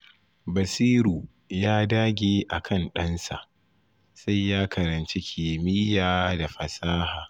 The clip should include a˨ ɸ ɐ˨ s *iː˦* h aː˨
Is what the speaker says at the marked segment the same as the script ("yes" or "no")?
no